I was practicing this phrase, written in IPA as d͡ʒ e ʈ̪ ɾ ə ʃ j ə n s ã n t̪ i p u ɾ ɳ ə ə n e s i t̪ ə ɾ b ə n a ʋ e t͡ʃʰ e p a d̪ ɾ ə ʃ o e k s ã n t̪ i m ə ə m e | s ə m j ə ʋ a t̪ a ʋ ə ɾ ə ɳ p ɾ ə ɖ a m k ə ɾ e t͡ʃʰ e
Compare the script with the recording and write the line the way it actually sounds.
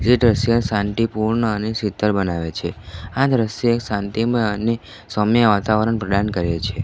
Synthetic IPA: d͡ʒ e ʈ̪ ɾ ə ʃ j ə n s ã n t̪ i p u ɾ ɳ ə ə n e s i t̪ ə ɾ b ə n a ʋ e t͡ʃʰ e a d̪ ɾ ə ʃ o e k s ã n t̪ i m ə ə n e | s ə m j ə ʋ a t̪ a ʋ ə ɾ ə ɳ p ɾ ə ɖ a n k ə ɾ e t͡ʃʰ e